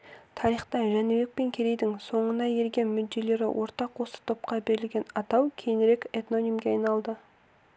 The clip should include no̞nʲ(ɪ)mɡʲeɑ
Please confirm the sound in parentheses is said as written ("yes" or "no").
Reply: no